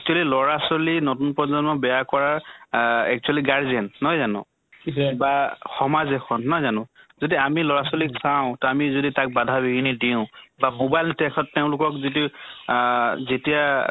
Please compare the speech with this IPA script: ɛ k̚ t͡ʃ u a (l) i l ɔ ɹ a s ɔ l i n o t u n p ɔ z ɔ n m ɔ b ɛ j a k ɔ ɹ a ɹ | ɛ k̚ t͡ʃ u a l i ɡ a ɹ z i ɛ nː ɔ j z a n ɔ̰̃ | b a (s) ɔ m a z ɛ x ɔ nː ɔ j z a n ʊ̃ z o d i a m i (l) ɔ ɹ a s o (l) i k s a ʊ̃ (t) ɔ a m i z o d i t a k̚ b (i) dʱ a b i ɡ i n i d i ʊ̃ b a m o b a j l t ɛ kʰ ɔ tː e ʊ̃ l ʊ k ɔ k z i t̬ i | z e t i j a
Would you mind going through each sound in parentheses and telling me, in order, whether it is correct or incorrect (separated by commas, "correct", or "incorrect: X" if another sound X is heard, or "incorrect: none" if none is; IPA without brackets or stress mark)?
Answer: correct, incorrect: x, correct, correct, correct, incorrect: a